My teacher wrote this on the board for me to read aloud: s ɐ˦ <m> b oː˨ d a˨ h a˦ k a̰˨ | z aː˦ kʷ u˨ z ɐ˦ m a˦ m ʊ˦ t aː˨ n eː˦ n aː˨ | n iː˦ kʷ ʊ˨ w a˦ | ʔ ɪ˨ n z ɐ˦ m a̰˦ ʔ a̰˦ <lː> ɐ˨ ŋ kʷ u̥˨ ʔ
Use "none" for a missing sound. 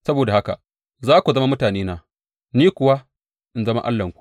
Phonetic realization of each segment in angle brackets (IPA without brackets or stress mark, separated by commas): none, lː